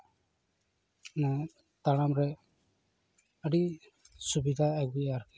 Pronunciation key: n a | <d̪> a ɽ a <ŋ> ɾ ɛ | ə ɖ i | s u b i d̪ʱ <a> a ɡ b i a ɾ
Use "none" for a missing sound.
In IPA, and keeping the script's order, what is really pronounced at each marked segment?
t̪, m, a

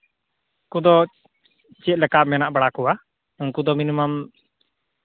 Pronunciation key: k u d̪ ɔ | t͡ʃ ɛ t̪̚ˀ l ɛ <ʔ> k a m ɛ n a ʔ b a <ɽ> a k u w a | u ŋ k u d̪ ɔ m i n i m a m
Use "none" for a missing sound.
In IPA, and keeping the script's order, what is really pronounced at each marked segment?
none, ɽ

